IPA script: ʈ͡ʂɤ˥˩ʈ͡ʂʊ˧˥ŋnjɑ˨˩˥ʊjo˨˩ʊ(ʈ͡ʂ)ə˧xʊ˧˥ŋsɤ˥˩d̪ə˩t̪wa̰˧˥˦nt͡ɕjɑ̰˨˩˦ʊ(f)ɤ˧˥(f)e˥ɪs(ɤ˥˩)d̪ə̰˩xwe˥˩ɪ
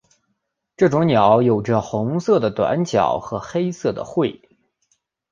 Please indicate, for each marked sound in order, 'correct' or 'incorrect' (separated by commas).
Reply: correct, incorrect, incorrect, correct